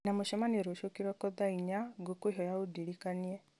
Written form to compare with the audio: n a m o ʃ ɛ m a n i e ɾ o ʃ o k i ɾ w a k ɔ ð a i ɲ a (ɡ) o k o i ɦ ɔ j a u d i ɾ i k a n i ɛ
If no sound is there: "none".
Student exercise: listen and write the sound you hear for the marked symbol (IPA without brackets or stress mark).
ɡ